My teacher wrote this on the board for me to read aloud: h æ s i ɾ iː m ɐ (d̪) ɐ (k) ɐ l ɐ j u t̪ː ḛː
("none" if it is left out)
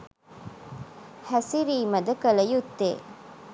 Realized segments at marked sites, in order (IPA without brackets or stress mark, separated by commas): d̪, k